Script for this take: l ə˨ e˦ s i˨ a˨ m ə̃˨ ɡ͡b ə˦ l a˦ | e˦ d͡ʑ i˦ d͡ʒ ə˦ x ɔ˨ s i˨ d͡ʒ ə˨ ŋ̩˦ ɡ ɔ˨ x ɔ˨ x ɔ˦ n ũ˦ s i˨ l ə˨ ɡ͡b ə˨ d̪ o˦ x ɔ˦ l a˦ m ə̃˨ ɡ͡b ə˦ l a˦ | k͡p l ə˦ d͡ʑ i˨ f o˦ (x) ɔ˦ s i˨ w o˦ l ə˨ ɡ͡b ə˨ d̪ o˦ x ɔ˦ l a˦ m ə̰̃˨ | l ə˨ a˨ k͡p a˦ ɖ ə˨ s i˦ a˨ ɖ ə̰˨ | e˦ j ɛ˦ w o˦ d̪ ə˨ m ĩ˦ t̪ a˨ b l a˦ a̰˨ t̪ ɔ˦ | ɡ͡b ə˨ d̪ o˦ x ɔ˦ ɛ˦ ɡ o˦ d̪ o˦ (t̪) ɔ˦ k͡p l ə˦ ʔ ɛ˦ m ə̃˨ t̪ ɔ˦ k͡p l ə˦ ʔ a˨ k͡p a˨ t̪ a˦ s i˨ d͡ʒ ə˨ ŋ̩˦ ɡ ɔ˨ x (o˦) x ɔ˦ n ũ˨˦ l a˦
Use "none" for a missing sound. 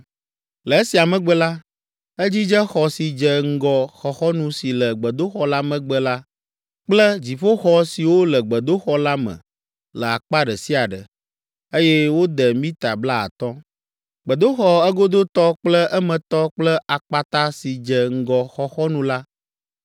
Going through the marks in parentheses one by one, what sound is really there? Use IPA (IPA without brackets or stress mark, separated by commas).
x, t̪, ɔ˦